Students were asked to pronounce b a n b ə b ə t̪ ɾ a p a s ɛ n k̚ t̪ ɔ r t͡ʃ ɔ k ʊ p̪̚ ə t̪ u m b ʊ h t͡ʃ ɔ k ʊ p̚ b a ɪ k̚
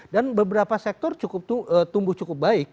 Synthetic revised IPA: d a n b ə b ə ɾ a p a s ɛ k̚ t̪ ɔ r t͡ʃ u k ʊ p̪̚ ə t̪ u m b ʊ h t͡ʃ u k ʊ p̚ b a ɪ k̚